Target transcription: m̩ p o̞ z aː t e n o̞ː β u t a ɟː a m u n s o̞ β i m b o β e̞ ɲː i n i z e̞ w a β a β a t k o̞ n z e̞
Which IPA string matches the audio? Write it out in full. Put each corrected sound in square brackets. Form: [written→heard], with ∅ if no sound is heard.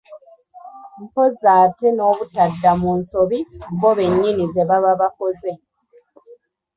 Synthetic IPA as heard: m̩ p o̞ z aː t e n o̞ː β u t a [ɟː→dː] a m u n s o̞ β i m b o β e̞ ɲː i n i z e̞ [w→β] a β a β a [t→∅] k o̞ [n→∅] z e̞